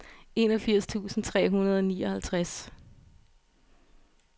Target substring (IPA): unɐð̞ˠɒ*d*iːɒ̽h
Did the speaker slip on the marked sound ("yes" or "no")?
yes